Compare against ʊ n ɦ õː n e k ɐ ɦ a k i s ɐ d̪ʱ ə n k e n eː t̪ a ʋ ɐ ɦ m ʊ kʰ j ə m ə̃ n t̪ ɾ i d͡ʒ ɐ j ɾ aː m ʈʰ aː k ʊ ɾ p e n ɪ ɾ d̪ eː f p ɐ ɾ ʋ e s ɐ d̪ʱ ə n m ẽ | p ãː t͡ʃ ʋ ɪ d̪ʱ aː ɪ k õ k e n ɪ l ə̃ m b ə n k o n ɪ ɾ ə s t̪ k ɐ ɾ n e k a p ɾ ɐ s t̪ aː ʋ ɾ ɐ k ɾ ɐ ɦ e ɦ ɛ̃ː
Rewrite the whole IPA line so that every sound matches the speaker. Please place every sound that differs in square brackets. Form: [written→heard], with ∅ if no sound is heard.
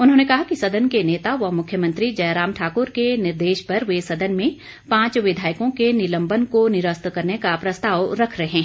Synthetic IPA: ʊ n ɦ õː n e k ɐ ɦ a k i s ɐ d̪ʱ ə n k e n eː t̪ a ʋ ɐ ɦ m ʊ kʰ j ə m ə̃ n t̪ ɾ i d͡ʒ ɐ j ɾ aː m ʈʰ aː k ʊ ɾ [p→k] e n ɪ ɾ d̪ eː [f→ʃ] p ɐ ɾ ʋ e s ɐ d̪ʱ ə n m ẽ | p ãː t͡ʃ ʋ ɪ d̪ʱ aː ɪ k õ k e n ɪ l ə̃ m b ə n k o n ɪ ɾ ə s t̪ k ɐ ɾ n e k a p ɾ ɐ s t̪ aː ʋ ɾ ɐ [k→kʰ] ɾ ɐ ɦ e ɦ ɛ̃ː